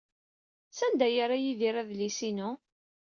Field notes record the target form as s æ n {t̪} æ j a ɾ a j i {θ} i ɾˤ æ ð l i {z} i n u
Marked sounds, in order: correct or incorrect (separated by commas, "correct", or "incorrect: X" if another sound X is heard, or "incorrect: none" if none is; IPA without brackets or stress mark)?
incorrect: d̪, incorrect: ð, incorrect: s